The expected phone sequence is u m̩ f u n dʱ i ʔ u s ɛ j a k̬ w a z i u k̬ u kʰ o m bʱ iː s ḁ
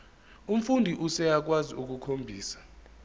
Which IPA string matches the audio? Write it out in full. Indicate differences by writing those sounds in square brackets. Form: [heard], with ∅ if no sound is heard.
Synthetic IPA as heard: u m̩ f u n dʱ i ʔ u s ɛ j a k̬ w a z i u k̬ u kʰ o m bʱ iː s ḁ